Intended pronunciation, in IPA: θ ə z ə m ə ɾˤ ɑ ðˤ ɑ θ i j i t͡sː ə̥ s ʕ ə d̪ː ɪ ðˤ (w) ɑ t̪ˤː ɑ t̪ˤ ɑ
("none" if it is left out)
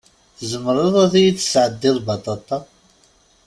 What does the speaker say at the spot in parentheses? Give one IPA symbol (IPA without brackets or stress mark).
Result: b